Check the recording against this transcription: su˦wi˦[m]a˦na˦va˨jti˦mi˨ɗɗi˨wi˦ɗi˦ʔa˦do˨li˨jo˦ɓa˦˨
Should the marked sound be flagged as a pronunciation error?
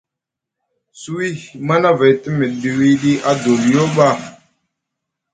no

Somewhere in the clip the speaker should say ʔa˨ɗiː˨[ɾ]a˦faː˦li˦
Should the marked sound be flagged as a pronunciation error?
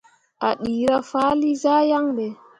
no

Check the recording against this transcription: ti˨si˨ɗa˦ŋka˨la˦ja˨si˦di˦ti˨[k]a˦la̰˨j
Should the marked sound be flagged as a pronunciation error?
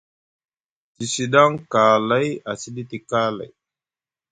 no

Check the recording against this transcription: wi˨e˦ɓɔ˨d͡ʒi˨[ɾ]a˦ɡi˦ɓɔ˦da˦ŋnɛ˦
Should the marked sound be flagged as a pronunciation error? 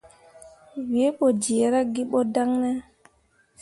no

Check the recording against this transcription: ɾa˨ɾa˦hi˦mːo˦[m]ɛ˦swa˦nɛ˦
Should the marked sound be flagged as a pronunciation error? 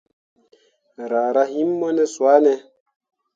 yes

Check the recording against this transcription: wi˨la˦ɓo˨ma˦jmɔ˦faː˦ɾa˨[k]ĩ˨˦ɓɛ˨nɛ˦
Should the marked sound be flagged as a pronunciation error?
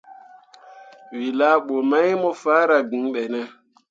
yes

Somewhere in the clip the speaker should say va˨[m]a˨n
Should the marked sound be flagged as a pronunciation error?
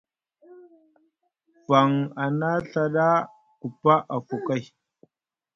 yes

